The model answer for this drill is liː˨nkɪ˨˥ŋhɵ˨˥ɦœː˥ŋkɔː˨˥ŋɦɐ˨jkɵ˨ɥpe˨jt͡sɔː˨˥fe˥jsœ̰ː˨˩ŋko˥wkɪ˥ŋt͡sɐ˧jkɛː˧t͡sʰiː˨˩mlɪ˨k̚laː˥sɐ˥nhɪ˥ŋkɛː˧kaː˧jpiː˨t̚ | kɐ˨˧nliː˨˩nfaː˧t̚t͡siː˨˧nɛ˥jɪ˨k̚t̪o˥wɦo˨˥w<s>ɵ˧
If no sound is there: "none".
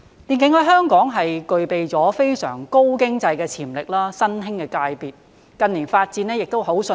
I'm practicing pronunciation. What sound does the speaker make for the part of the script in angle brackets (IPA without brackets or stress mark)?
s